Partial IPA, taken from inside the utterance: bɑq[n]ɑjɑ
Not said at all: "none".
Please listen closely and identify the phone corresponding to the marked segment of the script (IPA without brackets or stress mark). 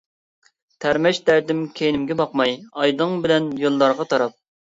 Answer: m